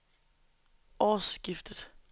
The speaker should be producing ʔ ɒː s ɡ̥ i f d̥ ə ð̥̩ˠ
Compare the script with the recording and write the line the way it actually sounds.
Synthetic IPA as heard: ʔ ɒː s ɡ̥ i f d̥ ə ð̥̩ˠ